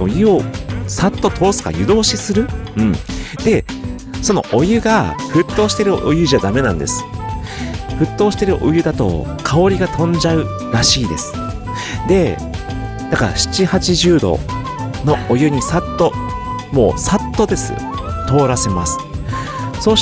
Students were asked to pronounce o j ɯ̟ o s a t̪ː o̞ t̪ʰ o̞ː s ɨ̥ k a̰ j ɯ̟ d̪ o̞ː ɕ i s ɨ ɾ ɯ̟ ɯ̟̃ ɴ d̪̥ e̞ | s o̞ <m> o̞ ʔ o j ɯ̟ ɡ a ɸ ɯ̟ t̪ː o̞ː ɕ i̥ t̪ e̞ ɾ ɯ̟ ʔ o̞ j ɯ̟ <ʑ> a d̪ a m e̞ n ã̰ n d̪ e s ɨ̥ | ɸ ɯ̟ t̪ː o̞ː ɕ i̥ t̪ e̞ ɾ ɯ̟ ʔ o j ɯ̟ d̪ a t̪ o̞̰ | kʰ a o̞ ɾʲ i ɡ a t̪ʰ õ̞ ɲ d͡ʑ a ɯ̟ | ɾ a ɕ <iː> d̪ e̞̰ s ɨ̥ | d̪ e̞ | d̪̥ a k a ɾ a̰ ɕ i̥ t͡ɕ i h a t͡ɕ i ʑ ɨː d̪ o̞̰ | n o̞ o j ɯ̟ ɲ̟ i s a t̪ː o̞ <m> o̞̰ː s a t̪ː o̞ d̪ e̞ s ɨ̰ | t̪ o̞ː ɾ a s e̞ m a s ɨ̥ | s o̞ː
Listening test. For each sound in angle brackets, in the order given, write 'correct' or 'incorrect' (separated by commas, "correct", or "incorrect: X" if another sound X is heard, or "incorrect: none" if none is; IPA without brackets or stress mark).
incorrect: n, correct, correct, correct